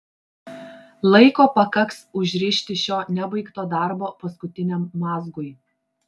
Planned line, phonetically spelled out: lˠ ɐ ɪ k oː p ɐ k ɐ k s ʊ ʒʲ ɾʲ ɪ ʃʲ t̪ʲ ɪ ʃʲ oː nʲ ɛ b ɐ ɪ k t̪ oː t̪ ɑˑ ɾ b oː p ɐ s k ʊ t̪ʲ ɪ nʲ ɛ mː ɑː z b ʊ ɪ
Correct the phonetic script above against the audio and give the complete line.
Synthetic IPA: lˠ ɐ ɪ k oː p ɐ k ɐ k s ʊ ʒʲ ɾʲ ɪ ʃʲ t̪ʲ ɪ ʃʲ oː nʲ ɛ b ɐ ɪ k t̪ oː d̪ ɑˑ ɾ b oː p ɐ s k ʊ t̪ʲ ɪ nʲ ɛ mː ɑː z ɡ ʊ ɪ